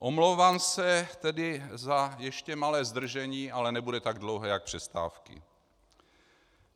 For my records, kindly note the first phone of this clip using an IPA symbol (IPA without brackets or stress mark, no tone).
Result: ʔ